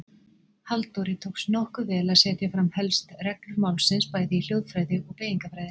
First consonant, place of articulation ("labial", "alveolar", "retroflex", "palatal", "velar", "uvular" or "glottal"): glottal